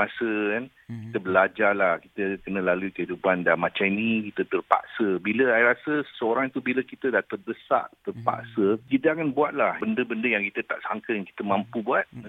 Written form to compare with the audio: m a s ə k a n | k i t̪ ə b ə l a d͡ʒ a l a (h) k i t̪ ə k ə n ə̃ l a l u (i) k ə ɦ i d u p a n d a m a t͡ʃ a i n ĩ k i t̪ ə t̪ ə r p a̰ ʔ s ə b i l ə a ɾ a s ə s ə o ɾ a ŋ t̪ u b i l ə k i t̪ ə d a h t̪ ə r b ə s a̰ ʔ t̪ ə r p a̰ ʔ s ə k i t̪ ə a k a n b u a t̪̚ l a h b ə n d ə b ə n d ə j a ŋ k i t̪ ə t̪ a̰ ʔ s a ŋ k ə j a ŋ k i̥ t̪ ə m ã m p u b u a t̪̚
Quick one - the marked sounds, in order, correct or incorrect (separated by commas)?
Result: correct, correct